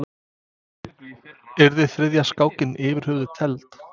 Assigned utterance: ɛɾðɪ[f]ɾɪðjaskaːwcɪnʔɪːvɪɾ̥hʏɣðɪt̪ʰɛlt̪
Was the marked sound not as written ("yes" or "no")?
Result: yes